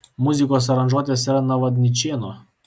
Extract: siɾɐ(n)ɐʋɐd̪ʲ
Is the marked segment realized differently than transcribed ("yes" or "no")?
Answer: no